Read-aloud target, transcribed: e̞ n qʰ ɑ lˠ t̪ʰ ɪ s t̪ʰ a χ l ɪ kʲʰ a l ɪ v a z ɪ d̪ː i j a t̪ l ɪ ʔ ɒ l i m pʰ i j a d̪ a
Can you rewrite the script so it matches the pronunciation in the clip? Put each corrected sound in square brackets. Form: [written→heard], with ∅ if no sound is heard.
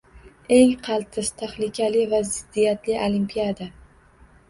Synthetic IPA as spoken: e̞ [n→ŋ] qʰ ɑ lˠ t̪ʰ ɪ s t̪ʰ a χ l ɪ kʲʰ a l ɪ v a z ɪ d̪ː i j a t̪ l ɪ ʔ [ɒ→o] l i m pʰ i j a d̪ a